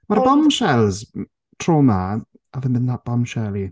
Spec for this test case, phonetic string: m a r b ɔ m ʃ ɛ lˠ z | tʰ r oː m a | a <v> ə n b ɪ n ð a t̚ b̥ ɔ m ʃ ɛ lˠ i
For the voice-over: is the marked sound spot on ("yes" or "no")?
yes